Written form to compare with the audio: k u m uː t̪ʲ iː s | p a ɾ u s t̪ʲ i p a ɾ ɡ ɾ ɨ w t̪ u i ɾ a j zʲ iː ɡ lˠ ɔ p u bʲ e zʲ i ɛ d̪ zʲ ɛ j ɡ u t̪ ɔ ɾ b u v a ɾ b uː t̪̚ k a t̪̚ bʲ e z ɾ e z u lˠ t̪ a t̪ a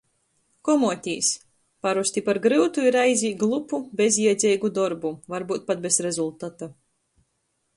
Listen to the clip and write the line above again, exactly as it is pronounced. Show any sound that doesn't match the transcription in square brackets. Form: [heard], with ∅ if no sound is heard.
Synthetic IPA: k [ɔ] m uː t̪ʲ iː s | p a ɾ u s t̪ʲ i p a ɾ ɡ ɾ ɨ w t̪ u i ɾ a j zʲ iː ɡ lˠ [u] p u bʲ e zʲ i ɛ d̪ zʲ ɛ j ɡ u [d̪] ɔ ɾ b u v a ɾ b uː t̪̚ [p] a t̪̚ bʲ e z ɾ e z u lˠ t̪ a t̪ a